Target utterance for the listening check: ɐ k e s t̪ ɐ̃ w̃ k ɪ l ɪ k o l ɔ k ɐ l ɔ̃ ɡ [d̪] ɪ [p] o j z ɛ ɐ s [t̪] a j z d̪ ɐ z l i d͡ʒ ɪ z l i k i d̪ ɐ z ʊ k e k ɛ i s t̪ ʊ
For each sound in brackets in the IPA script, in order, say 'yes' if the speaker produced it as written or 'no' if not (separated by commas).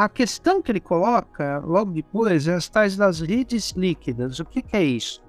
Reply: yes, yes, yes